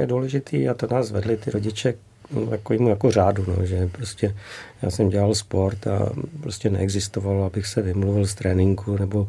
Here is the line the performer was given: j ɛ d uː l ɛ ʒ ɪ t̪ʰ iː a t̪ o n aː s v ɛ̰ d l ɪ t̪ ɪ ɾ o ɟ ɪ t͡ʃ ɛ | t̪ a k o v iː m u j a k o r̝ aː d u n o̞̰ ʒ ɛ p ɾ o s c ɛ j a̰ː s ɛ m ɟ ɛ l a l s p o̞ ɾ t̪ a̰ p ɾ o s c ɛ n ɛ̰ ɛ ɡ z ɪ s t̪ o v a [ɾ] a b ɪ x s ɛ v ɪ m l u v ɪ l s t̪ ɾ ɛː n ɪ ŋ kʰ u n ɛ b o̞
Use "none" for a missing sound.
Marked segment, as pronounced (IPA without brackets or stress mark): l